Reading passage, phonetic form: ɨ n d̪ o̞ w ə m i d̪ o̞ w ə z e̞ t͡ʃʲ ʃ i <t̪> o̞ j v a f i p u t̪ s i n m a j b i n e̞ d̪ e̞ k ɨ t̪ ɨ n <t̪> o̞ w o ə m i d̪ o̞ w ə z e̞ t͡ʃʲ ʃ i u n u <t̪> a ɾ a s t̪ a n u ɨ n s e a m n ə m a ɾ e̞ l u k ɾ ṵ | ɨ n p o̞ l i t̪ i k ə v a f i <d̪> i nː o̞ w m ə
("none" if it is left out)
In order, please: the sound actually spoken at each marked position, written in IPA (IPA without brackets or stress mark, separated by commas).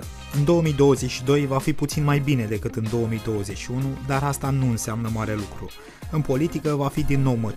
d̪, d̪, d̪, d̪